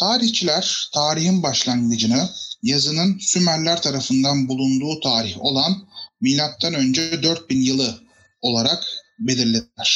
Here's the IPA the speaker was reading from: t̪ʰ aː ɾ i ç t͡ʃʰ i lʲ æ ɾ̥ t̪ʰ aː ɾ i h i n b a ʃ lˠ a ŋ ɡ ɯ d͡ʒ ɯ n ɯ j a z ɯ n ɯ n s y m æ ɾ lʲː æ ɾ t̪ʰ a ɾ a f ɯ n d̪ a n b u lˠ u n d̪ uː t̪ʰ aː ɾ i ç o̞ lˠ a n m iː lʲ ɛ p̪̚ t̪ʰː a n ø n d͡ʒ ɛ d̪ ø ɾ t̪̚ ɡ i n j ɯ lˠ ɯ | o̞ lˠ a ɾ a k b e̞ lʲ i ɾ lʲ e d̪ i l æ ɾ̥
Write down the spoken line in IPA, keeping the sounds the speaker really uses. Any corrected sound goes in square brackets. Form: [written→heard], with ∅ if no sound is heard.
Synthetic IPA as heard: t̪ʰ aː ɾ i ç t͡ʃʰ i lʲ æ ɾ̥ t̪ʰ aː ɾ i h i n b a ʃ lˠ a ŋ ɡ ɯ d͡ʒ ɯ n ɯ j a z ɯ n ɯ n s y m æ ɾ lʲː æ ɾ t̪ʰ a ɾ a f ɯ n d̪ a n b u lˠ u n d̪ uː t̪ʰ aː ɾ i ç o̞ lˠ a n m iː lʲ [ɛ→a] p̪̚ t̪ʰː a n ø n d͡ʒ ɛ d̪ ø ɾ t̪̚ [ɡ→b] i n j ɯ lˠ ɯ | o̞ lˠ a ɾ a k b e̞ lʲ i ɾ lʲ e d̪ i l æ ɾ̥